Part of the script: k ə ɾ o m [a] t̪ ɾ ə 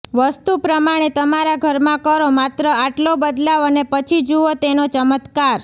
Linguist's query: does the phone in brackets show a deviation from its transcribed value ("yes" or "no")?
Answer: no